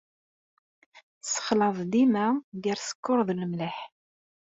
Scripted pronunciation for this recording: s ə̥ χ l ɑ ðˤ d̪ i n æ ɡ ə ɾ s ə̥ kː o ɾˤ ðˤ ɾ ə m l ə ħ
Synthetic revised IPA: s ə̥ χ l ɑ ðˤ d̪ i m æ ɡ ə ɾ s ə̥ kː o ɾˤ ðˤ l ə m l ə ħ

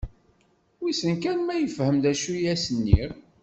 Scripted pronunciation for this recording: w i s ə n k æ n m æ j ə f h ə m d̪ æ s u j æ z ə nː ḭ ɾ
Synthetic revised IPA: w i s ə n k æ n m æ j ə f h ə m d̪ æ ʃ u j æ s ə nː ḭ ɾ

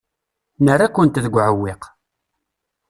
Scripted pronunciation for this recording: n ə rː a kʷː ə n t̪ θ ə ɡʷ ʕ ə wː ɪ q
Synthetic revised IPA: n ə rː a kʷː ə n t̪ ð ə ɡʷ ʕ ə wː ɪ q

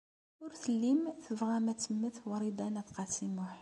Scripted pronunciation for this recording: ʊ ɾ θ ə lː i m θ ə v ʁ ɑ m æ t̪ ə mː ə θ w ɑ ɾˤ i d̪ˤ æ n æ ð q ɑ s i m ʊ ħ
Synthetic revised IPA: ʊ ɾ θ ə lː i m θ ə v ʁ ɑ m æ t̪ ə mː ə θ w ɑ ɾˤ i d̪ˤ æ n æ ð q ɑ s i m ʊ ħ

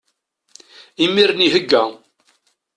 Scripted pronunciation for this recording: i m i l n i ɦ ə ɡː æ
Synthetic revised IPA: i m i ɾ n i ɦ ə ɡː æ

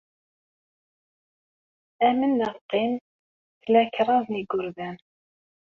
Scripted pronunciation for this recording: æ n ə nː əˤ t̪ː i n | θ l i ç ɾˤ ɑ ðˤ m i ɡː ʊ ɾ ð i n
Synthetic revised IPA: æ m ə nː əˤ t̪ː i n | θ l æ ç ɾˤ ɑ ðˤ n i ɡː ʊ ɾ ð æ n

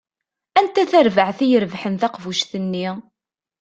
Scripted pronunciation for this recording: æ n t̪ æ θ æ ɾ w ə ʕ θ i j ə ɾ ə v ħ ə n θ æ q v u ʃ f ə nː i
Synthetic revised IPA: æ n t̪ æ θ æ ɾ v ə ʕ θ i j ə ɾ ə v ħ ə n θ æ q v u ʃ θ ə nː i

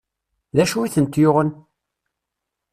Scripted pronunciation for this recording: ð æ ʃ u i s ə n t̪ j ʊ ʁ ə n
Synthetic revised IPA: ð æ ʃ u i θ ə n t̪ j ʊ ʁ ə n

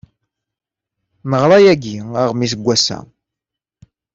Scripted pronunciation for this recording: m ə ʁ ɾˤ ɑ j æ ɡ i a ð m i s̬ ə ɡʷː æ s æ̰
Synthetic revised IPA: m ə ʁ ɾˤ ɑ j æ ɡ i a ʁ m i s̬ ə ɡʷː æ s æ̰

